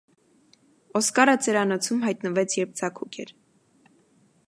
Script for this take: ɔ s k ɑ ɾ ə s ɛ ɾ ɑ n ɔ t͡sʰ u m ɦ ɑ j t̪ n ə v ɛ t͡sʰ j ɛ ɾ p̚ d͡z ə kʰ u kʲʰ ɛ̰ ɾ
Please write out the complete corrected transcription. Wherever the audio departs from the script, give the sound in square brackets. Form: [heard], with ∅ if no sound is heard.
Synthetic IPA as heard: ɔ s k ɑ ɾ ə [t͡s] ɛ ɾ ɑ n ɔ t͡sʰ u m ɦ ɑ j t̪ n ə v ɛ t͡sʰ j ɛ ɾ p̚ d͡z [ɑ] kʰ u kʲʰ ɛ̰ ɾ